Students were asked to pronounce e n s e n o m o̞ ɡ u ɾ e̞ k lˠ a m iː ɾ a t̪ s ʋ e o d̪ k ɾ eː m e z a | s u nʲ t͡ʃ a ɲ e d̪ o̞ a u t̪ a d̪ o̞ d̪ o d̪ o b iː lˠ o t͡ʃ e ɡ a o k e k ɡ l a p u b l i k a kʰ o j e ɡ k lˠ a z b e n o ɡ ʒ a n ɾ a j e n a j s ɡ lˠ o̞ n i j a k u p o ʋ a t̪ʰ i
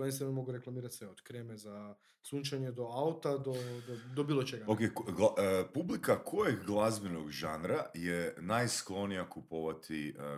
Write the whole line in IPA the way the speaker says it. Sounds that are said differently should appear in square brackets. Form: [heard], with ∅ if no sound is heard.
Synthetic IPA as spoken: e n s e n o m o̞ ɡ u ɾ e̞ k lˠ a m iː ɾ a t̪ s ʋ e o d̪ k ɾ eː m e z a | s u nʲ t͡ʃ a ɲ e d̪ o̞ a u t̪ a d̪ o̞ d̪ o d̪ o b iː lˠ o t͡ʃ e ɡ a o k e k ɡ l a p u b l i k a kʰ o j e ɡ [ɡ] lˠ a z b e n o ɡ ʒ a n ɾ a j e n a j s [k] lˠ o̞ n i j a k u p o ʋ a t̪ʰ i